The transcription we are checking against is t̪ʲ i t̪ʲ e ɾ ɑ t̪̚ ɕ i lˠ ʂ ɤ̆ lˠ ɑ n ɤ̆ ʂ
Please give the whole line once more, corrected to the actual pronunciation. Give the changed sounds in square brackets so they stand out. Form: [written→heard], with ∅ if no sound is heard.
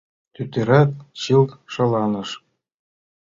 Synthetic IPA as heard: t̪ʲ [i→y] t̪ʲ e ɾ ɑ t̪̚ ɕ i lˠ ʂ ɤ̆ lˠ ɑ n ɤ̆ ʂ